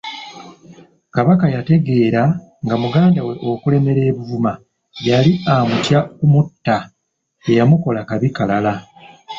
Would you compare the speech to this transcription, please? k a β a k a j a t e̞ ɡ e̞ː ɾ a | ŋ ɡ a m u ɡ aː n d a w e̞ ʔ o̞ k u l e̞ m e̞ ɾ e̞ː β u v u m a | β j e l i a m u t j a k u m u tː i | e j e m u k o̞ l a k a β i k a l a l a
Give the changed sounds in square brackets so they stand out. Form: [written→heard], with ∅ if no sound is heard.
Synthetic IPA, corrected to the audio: k a β a k a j a t e̞ ɡ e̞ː ɾ a | ŋ ɡ a m u ɡ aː n d a w e̞ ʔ o̞ k u l e̞ m e̞ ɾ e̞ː β u v u m a | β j [e→a] l i a m u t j a k u m u tː [i→a] | e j [e→a] m u k o̞ l a k a β i k a l a l a

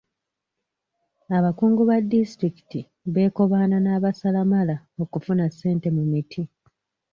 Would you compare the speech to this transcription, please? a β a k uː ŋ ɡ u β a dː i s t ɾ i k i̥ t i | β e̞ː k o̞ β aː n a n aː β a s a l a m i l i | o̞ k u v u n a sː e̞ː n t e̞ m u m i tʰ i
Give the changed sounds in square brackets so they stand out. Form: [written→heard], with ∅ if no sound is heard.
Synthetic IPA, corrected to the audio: a β a k uː ŋ ɡ u β a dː i s t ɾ i k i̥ t i | β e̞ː k o̞ β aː n a n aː β a s a l a m [i→a] l [i→a] | o̞ k u [v→f] u n a sː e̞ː n t e̞ m u m i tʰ i

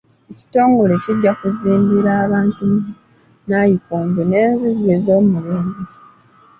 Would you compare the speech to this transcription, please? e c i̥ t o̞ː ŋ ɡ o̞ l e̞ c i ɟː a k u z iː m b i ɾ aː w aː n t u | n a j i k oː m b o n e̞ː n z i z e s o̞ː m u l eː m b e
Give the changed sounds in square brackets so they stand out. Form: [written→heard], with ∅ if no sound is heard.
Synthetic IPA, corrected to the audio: e c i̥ t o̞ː ŋ ɡ o̞ l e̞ c i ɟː a k u z iː m b i ɾ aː [w→β] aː n t u | n a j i k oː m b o n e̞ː n z i z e [s→z] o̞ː m u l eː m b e

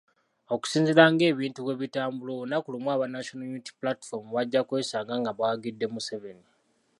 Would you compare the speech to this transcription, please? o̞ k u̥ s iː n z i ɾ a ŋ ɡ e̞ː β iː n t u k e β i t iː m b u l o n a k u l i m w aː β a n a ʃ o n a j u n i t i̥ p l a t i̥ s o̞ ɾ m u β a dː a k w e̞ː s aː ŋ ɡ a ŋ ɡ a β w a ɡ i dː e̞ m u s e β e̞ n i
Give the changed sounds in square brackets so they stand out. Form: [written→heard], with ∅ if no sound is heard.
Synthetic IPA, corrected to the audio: o̞ k u̥ s iː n z i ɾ a ŋ ɡ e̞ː β iː n t u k e β i t [iː→aː] m b u l o n a k u l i m w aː β a n a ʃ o n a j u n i t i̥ p l a t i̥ [s→f] o̞ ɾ m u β a [dː→ɟː] a k w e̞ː s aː ŋ ɡ a ŋ ɡ a β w a ɡ i dː e̞ m u s e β e̞ n i

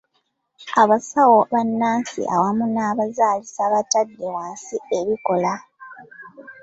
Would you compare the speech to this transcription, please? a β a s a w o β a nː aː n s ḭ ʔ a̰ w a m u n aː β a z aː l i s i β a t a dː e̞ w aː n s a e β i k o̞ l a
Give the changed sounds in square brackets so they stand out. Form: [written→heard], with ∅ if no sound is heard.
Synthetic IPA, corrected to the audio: a β a s a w o β a nː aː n s ḭ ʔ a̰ w a m u n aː β a z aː l i s [i→a] β a t a dː e̞ w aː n s [a→i] e β i k o̞ l a

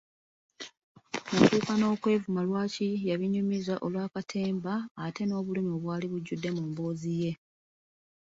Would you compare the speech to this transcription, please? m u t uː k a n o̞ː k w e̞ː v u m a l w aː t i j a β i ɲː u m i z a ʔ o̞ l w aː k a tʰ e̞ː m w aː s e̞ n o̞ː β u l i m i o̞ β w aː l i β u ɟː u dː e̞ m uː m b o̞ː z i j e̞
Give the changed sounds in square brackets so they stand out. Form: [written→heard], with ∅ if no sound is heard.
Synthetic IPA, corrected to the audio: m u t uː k a n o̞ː k w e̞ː v u m a l w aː [t→c] i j a β i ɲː u m i z a ʔ o̞ l w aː k a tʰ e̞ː m [w→b] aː [s→t] e̞ n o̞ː β u l i m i o̞ β w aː l i β u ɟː u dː e̞ m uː m b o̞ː z i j e̞

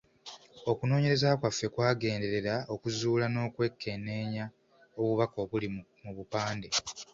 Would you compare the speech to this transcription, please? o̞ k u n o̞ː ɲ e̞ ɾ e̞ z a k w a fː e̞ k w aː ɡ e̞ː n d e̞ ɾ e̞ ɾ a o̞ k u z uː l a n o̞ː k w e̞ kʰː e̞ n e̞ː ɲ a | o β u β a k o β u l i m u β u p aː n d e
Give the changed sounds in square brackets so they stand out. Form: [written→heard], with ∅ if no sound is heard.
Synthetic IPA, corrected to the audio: o̞ k u n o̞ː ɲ e̞ ɾ e̞ z a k w a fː e̞ k w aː ɡ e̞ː n d e̞ ɾ e̞ ɾ a o̞ k u z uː l a n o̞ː k w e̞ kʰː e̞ n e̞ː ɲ a | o β u β a k o β u l i m u β u p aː n d e

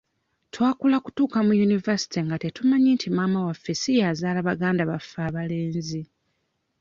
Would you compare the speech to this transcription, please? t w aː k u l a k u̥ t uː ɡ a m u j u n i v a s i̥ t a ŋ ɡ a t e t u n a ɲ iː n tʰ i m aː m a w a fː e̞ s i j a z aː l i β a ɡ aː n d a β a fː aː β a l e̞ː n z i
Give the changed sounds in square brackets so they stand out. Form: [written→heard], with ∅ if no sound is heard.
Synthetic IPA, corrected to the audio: t w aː k u l a k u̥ t uː [ɡ→k] a m u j u n i v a s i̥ t [a→i] ŋ ɡ a t e t u [n→m] a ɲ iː n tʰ i m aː m a w a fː e̞ s i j a z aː l [i→a] β a ɡ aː n d a β a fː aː β a l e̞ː n z i

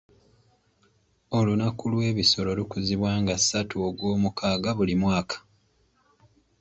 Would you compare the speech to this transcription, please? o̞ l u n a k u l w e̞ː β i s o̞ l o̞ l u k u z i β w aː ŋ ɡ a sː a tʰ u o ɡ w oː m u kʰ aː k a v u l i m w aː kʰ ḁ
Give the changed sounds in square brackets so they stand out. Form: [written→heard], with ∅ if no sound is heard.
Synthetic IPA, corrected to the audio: o̞ l u n a k u l w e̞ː β i s o̞ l o̞ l u k u z i β w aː ŋ ɡ a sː a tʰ u o ɡ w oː m u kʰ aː [k→ɡ] a [v→β] u l i m w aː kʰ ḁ

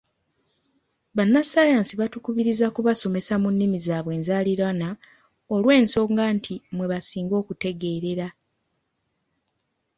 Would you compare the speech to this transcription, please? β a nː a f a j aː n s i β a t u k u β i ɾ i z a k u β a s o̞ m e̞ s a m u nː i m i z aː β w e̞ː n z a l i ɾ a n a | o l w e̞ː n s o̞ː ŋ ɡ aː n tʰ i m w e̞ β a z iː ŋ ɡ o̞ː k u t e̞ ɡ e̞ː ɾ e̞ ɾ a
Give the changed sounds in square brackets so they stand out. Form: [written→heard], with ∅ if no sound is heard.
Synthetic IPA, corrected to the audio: β a nː a [f→s] a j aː n s i β a t u k u β i ɾ i z a k u β a s o̞ m e̞ s a m u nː i m i z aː β w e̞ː n z a l i ɾ a n a | o l w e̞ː n s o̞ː ŋ ɡ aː n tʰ i m w e̞ β a [z→s] iː ŋ ɡ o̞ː k u t e̞ ɡ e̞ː ɾ e̞ ɾ a

